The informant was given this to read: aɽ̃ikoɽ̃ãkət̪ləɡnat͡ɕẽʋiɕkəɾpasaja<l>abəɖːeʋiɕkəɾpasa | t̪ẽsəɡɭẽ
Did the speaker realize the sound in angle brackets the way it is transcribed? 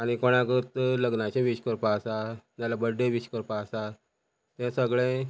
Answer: yes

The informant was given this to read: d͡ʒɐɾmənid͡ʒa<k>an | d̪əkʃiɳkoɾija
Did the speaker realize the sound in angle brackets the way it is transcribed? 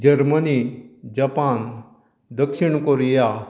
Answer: no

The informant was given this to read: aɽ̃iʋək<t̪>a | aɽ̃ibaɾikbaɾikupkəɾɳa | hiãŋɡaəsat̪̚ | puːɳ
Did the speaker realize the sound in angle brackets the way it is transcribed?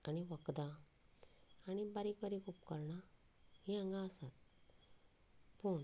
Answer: no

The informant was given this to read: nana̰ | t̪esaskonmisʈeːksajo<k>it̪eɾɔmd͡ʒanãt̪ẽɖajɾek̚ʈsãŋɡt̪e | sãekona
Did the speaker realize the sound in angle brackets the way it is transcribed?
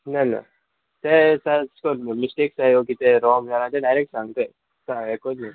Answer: yes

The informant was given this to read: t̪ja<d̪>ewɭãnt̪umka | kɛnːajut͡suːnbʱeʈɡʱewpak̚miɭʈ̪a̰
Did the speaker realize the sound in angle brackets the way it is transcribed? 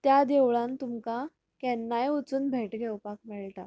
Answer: yes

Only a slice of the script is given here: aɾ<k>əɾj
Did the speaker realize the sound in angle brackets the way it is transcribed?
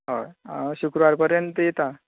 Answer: no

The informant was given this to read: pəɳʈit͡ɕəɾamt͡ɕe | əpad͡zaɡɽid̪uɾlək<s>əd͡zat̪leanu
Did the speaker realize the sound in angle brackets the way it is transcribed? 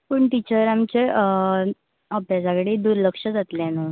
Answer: no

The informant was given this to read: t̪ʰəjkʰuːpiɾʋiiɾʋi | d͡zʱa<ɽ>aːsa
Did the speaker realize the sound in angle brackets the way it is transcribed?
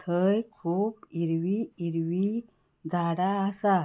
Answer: yes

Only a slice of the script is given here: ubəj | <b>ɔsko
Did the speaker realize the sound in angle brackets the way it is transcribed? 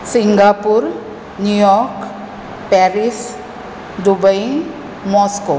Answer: no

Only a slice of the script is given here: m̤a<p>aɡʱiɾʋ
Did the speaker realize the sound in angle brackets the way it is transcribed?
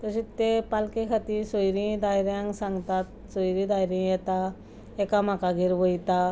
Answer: no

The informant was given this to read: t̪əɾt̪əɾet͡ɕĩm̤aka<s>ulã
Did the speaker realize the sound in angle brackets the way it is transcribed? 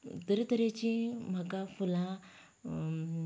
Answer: no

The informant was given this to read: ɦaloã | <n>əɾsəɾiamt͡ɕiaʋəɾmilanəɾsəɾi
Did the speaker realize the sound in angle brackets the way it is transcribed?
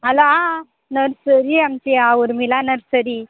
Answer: yes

